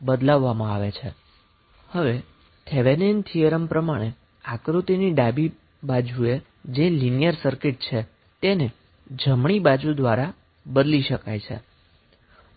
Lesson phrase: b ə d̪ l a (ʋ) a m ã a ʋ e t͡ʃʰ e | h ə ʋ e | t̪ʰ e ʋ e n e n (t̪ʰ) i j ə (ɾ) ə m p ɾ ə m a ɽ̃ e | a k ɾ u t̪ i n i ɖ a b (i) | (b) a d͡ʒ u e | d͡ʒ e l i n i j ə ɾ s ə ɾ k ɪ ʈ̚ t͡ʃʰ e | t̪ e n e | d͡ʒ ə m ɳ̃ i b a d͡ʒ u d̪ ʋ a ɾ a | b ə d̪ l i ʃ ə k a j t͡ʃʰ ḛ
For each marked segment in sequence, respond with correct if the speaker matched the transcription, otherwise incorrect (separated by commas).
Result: incorrect, correct, correct, correct, correct